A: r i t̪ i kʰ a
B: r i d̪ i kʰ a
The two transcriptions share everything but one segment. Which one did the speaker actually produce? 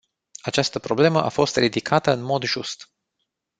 B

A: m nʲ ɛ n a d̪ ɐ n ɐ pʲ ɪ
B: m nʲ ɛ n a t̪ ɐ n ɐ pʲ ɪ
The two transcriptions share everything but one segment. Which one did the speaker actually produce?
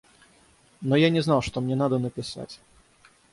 A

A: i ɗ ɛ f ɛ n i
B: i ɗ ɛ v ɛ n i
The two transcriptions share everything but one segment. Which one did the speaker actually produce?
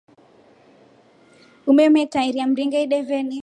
B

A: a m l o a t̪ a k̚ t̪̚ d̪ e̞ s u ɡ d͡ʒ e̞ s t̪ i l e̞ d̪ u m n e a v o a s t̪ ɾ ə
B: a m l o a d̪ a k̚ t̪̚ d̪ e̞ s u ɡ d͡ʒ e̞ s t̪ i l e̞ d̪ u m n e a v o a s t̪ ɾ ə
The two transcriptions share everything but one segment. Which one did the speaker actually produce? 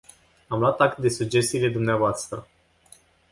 A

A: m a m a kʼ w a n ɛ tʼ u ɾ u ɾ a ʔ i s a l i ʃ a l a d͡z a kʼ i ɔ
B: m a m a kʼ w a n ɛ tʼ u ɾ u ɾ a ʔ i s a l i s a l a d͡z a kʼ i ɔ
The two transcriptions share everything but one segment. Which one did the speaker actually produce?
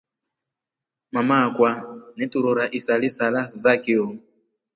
B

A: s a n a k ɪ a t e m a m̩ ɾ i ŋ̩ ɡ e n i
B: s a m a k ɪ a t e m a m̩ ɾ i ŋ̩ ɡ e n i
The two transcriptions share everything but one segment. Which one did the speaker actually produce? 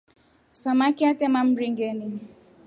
B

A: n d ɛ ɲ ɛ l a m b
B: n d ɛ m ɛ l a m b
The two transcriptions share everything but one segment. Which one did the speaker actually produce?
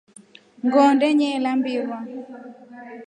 A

